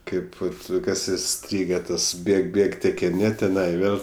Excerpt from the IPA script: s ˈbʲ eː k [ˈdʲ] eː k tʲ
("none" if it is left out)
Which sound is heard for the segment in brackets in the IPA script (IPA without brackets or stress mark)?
bʲ